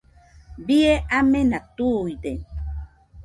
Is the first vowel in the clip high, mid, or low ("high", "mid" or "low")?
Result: high